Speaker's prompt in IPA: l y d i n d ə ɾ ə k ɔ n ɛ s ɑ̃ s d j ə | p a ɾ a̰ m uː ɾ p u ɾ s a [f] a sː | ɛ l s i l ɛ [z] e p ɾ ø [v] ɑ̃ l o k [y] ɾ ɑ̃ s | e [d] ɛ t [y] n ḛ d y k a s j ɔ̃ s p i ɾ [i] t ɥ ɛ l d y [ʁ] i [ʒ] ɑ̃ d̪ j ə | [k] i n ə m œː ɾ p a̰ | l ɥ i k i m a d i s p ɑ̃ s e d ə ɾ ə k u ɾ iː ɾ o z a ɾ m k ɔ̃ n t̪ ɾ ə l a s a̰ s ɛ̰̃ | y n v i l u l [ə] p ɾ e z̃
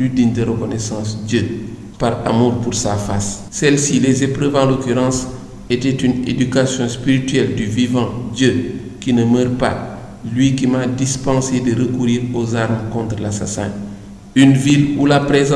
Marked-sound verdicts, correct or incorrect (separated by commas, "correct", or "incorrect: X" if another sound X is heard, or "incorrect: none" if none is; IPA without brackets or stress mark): correct, correct, correct, correct, incorrect: t, correct, correct, incorrect: v, incorrect: v, correct, incorrect: a